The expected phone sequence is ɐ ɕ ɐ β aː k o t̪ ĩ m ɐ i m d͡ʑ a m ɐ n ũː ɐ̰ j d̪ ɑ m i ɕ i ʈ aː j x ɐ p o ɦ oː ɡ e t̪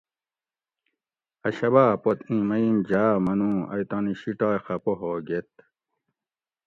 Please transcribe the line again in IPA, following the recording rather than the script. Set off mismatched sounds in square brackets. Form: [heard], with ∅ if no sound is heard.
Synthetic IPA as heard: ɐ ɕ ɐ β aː [p] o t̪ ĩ m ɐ i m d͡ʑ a m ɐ n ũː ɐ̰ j [t̪] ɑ [n] i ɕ i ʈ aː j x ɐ p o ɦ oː ɡ e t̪